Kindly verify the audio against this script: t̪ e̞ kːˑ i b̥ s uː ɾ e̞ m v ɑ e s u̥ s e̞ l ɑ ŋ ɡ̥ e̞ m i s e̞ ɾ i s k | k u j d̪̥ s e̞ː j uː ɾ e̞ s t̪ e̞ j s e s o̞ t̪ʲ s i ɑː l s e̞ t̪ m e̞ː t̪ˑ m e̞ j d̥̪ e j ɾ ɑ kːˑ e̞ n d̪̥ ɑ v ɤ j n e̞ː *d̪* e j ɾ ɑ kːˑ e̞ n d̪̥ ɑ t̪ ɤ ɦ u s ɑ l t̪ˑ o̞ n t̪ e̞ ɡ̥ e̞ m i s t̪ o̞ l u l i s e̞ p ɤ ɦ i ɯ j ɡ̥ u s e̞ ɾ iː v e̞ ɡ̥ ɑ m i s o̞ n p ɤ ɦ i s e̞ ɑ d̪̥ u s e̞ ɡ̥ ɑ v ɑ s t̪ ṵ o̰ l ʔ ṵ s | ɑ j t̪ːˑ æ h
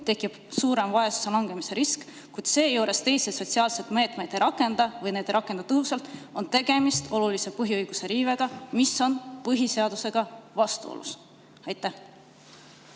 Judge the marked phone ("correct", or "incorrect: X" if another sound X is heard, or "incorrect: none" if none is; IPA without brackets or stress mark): correct